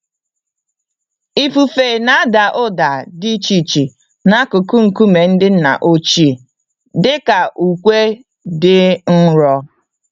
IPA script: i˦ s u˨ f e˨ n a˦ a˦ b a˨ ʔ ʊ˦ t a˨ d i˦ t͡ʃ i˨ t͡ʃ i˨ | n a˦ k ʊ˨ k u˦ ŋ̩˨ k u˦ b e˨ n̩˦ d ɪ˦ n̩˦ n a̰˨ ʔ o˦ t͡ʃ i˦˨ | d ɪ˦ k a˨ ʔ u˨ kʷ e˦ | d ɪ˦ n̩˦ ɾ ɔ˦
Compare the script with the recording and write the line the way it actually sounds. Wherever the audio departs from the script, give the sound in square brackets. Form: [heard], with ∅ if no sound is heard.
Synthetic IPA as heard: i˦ [f] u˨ f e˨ n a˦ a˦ [d] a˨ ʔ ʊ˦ [d] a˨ d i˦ t͡ʃ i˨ t͡ʃ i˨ | n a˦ k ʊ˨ k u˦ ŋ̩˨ k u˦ [m] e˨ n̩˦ d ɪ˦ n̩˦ n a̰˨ ʔ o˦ t͡ʃ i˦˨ | d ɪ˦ k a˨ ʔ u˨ kʷ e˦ | d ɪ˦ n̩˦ ɾ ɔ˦